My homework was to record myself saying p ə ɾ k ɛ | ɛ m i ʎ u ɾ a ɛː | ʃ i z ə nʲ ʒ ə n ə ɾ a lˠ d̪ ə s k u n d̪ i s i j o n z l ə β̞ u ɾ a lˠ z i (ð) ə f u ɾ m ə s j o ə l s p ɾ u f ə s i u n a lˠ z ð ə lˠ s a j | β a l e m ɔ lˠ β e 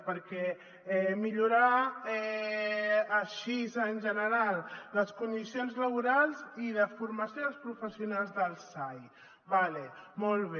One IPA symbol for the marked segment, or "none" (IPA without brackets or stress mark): ð